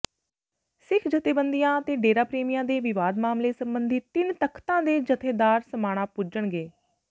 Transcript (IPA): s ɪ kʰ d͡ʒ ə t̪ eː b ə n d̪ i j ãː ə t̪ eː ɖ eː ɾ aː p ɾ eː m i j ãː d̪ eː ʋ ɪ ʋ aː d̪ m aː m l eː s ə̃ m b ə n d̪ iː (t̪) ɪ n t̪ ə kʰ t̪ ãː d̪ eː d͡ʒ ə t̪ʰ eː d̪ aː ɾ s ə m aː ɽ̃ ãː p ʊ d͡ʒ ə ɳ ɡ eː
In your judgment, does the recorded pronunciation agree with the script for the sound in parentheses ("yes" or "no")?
yes